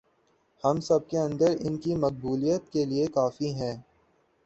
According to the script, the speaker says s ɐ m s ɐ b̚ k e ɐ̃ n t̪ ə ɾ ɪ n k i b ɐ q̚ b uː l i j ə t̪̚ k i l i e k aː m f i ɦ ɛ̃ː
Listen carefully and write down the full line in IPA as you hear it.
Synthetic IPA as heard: h ɐ m s ɐ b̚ k e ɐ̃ n d̪ ə ɾ ɪ n k i m ɐ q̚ b uː l i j ə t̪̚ k e l i e k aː f i ɦ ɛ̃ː